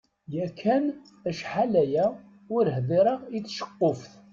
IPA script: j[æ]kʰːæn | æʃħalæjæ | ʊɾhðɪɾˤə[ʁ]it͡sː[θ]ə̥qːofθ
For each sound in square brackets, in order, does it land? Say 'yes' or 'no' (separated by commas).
yes, yes, no